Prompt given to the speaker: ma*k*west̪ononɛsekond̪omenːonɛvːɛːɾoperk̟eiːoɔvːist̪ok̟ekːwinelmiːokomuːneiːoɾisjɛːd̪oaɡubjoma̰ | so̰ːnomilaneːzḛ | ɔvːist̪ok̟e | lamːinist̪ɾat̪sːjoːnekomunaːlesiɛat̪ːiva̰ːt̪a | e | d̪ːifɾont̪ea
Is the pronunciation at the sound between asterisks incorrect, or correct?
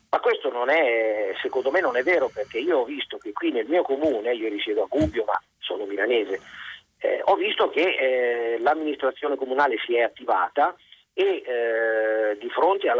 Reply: correct